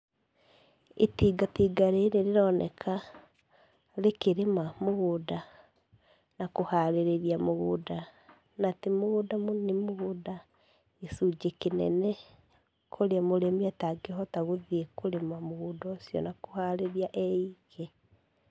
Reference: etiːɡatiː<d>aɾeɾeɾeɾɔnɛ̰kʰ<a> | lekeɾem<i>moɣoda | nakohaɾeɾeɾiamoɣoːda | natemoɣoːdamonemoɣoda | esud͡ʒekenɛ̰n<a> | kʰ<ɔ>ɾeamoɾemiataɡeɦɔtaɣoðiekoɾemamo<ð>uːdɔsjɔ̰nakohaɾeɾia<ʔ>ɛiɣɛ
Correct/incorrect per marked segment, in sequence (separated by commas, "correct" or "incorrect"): incorrect, correct, incorrect, incorrect, incorrect, incorrect, correct